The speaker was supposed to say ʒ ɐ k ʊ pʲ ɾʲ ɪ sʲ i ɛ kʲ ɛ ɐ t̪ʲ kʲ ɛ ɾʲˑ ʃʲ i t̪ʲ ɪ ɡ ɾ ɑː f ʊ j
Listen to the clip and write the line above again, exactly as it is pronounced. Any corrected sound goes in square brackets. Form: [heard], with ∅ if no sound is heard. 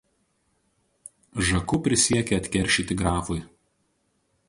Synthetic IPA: ʒ ɐ k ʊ pʲ ɾʲ ɪ sʲ i ɛ kʲ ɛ ɐ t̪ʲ kʲ ɛ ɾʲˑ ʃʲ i t̪ʲ ɪ ɡ ɾ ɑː f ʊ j

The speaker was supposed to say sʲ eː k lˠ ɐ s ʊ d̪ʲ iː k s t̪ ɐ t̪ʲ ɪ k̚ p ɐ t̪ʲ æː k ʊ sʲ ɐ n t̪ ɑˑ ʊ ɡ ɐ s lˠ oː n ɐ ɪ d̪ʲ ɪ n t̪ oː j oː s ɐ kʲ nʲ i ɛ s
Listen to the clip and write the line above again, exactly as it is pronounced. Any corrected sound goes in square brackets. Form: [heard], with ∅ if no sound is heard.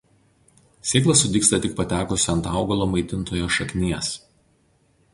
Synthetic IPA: sʲ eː k lˠ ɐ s ʊ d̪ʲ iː k s t̪ ɐ t̪ʲ ɪ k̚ p ɐ t̪ʲ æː k ʊ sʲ ɐ n t̪ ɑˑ ʊ ɡ ɐ [∅] lˠ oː [m] ɐ ɪ [t̪ʲ] ɪ n t̪ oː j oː [ʃ] ɐ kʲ nʲ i ɛ s

